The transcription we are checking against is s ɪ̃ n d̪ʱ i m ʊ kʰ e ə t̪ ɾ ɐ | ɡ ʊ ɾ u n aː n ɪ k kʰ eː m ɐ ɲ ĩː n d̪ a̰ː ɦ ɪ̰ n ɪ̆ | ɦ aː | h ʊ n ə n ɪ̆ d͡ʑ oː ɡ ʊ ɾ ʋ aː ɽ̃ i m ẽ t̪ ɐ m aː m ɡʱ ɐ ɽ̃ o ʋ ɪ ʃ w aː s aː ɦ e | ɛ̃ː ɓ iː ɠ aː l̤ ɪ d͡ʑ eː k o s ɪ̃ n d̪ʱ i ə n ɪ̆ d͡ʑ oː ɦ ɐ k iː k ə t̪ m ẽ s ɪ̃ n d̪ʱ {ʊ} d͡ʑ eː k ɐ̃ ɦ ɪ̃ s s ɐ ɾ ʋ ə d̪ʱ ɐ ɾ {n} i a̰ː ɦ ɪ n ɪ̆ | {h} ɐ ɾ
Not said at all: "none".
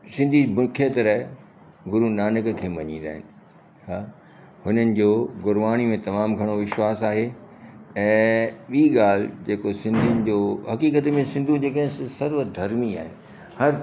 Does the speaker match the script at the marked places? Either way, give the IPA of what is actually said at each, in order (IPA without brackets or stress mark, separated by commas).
u, m, h